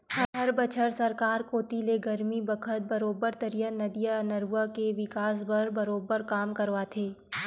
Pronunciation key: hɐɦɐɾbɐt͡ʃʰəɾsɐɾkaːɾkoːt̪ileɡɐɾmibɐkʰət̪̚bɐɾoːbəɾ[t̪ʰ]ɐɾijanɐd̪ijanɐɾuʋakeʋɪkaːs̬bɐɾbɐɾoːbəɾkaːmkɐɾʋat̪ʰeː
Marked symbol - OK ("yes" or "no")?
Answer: no